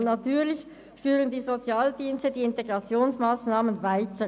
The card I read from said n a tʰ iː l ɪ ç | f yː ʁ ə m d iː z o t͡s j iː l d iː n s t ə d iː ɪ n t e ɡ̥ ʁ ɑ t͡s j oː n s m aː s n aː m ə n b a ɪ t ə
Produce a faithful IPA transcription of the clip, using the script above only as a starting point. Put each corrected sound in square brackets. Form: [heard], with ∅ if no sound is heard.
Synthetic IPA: n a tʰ [yː] l ɪ ç | f yː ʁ ə [n] d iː z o t͡s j [aː] l d iː n s t ə d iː ɪ n t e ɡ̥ ʁ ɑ t͡s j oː n s m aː s n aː m ə n [v] a ɪ t ə